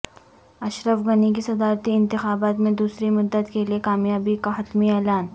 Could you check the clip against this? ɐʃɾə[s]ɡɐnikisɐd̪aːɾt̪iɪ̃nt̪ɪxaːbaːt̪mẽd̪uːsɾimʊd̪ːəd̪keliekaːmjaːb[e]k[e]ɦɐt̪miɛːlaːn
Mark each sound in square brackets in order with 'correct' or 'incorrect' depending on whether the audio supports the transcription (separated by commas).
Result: incorrect, incorrect, incorrect